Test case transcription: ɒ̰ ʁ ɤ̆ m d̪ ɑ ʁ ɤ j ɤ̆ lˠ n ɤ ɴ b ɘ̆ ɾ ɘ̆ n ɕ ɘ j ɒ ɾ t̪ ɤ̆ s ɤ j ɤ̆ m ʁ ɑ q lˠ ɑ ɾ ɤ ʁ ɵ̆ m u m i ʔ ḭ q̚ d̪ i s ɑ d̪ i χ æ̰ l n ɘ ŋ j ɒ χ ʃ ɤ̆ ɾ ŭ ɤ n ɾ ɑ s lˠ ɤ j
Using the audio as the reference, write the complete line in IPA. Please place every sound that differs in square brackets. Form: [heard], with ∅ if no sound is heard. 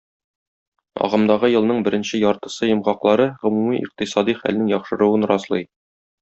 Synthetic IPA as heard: ɒ̰ ʁ ɤ̆ m d̪ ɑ ʁ ɤ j ɤ̆ lˠ n ɤ ɴ b ɘ̆ ɾ ɘ̆ n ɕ ɘ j ɒ ɾ t̪ ɤ̆ s ɤ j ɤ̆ m ʁ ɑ q lˠ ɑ ɾ ɤ ʁ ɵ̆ m u m i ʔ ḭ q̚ [t̪] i s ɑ d̪ i χ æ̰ l n ɘ ŋ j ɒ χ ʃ ɤ̆ ɾ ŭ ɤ n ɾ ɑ s lˠ ɤ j